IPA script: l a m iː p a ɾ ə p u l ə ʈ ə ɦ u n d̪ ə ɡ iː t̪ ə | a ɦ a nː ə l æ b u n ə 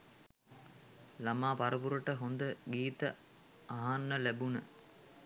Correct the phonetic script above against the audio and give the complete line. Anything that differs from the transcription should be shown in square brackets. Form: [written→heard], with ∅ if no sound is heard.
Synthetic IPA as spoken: l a m [iː→aː] p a ɾ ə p u [l→ɾ] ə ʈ ə ɦ [u→o] n d̪ ə ɡ iː t̪ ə | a ɦ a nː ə l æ b u n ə